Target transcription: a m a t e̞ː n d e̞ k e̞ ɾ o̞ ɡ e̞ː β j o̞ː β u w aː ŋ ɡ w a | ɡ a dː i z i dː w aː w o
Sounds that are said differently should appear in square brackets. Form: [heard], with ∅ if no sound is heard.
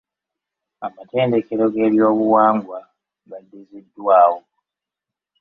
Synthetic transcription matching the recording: a m a t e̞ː n d e̞ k e̞ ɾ o̞ ɡ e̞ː β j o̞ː β u w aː ŋ ɡ w a | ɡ a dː i z i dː w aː w o